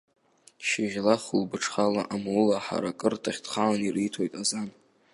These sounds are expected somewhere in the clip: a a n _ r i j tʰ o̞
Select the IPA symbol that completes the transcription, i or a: i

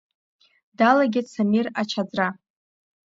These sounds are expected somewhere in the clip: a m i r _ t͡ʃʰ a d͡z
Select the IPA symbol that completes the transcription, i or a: a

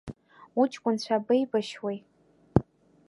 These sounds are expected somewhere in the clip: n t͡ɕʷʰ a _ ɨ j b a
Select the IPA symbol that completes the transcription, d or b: b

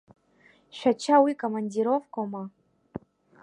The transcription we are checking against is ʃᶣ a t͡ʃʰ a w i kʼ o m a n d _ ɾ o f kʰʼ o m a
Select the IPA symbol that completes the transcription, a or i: i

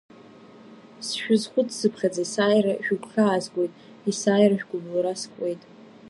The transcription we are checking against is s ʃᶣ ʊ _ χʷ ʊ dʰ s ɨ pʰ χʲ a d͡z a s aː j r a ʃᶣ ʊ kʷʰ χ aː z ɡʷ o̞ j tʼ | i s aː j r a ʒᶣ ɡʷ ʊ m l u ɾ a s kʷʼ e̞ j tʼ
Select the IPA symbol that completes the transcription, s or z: z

